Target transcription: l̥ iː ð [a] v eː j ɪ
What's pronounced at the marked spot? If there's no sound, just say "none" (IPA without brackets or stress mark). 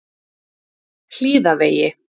a